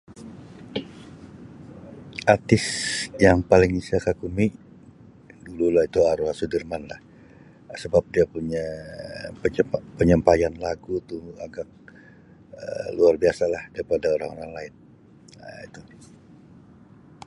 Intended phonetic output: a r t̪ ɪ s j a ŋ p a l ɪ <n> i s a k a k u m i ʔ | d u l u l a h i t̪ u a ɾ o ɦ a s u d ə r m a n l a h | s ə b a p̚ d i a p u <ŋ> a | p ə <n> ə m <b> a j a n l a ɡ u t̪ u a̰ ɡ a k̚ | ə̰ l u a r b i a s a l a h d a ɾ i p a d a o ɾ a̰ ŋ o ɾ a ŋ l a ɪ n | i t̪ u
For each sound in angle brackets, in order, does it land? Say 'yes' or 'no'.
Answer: no, no, no, no

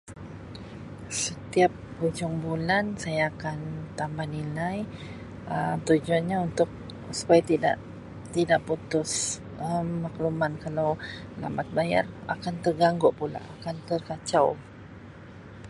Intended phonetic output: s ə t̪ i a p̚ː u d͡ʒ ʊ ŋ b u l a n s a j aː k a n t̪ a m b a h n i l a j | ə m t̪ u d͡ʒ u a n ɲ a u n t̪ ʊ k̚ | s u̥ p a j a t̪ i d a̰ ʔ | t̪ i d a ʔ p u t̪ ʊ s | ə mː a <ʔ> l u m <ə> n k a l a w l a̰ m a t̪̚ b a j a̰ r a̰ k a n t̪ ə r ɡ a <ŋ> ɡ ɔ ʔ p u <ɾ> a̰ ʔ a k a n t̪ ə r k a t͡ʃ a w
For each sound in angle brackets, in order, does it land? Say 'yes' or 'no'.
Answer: no, no, yes, no

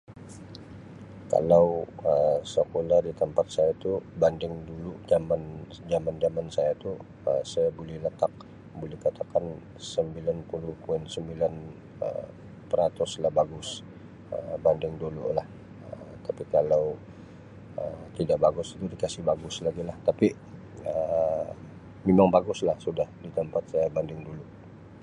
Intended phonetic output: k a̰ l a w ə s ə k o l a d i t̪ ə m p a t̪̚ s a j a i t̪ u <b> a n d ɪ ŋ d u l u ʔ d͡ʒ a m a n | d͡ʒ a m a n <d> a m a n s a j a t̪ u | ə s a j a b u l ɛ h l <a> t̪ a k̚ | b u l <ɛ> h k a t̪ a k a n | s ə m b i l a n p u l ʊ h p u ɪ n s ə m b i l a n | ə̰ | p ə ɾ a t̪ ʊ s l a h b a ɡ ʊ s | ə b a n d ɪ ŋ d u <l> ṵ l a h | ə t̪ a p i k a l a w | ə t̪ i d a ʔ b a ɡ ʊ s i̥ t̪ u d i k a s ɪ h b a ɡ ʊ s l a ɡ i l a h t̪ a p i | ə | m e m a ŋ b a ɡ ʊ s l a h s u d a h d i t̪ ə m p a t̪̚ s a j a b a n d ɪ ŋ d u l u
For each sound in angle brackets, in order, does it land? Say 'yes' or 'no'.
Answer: yes, no, no, yes, yes

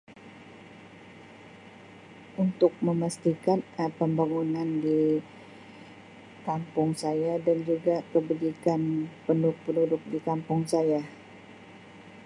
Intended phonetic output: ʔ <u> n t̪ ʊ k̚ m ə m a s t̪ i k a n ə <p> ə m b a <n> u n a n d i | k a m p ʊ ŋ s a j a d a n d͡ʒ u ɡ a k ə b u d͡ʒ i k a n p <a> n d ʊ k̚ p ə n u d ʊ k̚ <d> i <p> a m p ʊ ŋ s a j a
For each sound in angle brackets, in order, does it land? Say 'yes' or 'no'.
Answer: yes, yes, no, no, yes, no

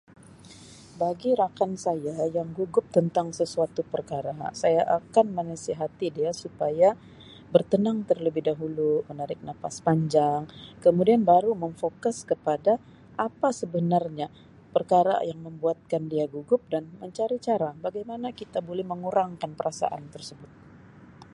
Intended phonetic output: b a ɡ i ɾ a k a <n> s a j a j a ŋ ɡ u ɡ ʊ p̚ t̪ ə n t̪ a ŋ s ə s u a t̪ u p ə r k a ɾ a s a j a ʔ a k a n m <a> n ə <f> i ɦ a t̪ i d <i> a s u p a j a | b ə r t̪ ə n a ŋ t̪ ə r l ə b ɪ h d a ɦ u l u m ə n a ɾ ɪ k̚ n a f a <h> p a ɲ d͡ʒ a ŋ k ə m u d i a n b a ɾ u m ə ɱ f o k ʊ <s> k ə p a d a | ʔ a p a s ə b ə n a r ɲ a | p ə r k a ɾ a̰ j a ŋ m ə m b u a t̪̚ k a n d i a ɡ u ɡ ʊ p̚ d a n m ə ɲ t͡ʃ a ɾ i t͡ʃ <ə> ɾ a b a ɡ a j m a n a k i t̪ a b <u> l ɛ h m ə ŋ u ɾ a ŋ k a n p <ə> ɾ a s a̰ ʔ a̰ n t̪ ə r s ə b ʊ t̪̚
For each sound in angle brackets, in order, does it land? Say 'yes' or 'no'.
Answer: yes, no, no, yes, no, yes, no, no, yes

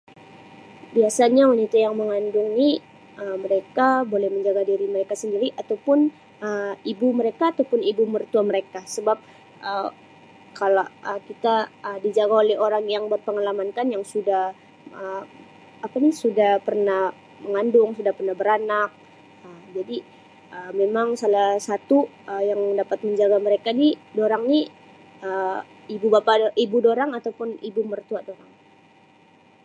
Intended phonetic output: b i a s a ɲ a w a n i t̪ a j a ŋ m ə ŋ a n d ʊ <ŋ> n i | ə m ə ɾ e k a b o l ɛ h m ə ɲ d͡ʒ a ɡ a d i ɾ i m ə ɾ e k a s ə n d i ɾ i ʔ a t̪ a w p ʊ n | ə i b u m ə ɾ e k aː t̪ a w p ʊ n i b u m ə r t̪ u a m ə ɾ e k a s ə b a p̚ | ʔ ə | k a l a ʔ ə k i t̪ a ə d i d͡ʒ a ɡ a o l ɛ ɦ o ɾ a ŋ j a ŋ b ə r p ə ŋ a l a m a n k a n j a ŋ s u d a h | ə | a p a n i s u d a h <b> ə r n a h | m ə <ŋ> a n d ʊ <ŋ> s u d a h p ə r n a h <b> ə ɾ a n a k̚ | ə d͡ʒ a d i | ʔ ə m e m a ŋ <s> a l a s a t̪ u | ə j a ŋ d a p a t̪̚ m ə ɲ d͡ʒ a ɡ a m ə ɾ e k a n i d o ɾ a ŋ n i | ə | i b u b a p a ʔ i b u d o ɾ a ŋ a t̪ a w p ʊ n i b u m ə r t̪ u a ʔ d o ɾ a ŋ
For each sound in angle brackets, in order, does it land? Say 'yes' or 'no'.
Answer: yes, no, yes, yes, yes, yes

